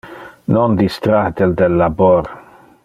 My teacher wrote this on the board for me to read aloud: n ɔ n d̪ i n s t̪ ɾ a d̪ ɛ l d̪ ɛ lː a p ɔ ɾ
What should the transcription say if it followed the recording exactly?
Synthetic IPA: n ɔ n d̪ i s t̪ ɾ a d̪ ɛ l d̪ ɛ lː a b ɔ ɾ

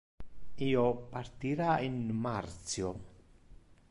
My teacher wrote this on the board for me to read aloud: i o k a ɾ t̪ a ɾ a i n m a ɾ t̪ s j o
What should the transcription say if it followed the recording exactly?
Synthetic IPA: i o p a ɾ t̪ i ɾ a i n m a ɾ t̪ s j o

